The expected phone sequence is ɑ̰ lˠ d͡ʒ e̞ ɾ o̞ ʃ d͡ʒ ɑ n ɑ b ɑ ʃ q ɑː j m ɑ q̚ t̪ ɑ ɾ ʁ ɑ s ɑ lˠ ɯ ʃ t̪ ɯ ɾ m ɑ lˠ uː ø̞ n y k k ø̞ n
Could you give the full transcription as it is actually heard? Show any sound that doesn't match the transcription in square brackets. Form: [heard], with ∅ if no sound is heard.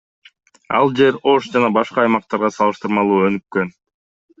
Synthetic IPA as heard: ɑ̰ lˠ d͡ʒ e̞ ɾ o̞ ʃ d͡ʒ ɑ n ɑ b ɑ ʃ q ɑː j m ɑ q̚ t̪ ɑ ɾ ʁ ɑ s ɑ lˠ ɯ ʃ t̪ ɯ ɾ m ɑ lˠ uː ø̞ n y k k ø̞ n